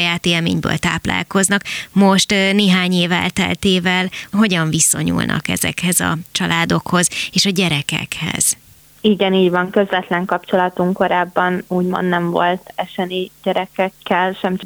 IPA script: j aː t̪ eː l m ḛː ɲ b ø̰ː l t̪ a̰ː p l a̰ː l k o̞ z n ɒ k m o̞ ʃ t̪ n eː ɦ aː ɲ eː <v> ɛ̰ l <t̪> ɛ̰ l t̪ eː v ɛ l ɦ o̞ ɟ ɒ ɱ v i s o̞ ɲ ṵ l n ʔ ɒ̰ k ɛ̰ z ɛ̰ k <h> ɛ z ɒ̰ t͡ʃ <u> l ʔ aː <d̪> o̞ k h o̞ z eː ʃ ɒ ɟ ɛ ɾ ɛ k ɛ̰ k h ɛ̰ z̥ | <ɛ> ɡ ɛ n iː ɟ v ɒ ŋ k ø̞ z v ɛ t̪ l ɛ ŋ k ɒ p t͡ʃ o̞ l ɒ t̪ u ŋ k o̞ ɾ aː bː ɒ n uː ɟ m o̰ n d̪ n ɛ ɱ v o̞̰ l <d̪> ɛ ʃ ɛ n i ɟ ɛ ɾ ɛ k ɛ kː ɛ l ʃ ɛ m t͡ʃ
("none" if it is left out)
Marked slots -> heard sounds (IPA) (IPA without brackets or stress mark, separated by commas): v, t̪, h, ɒ, d̪, i, t̪